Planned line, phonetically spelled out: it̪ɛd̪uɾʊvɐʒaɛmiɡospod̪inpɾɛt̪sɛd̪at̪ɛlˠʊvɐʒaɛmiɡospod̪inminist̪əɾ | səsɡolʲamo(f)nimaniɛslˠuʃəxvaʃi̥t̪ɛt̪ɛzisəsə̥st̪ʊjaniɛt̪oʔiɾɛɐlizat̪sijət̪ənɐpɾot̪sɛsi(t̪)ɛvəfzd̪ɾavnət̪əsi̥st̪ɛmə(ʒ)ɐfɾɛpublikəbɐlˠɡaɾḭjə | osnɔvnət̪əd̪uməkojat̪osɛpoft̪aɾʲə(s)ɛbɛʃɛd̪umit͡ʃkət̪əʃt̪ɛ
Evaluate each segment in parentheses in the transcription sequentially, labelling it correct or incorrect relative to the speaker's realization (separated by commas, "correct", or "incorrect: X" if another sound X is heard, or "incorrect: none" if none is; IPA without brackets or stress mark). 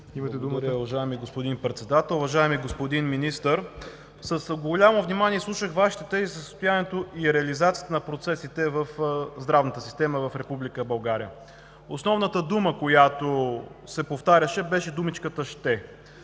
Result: incorrect: v, correct, incorrect: v, incorrect: ʃ